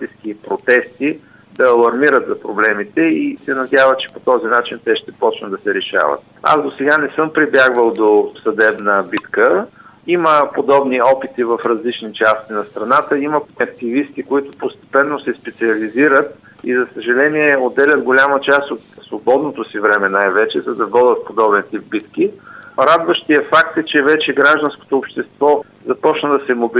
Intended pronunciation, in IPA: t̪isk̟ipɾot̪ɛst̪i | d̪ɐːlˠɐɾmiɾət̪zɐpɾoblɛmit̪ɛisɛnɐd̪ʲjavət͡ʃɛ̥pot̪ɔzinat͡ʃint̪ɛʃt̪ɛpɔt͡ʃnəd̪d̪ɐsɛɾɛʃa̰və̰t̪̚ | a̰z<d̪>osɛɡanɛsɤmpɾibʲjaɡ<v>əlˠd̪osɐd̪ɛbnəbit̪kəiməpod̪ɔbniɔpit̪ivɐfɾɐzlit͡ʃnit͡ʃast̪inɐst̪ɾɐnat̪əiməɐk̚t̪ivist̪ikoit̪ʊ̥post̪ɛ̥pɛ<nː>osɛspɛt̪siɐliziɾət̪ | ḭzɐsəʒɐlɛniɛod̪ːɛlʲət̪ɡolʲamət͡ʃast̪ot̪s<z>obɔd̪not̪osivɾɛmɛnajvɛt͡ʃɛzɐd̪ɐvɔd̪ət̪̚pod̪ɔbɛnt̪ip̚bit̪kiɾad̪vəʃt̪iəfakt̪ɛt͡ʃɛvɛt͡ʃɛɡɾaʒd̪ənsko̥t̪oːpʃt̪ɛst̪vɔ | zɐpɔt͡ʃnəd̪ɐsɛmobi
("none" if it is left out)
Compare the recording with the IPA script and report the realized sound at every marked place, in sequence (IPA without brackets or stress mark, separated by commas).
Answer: d̪, v, nː, v